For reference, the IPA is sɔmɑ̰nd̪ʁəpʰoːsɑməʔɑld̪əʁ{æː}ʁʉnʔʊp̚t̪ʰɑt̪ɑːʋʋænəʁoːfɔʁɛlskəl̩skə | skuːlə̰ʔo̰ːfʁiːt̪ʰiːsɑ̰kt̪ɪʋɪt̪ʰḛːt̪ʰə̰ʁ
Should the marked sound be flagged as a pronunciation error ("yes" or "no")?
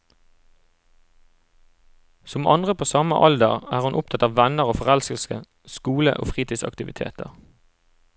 no